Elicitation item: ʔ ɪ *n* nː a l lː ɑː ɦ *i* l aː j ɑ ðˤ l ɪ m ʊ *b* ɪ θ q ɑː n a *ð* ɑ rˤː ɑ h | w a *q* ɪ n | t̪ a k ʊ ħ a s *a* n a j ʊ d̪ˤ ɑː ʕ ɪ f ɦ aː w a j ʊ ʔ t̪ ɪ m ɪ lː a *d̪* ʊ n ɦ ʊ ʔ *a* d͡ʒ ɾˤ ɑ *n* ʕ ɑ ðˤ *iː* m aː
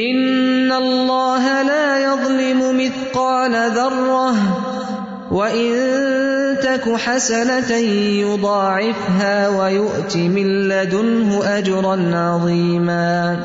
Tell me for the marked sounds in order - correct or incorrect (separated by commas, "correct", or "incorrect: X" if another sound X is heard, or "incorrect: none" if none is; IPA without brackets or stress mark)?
correct, incorrect: a, incorrect: m, correct, incorrect: ʔ, correct, correct, correct, correct, correct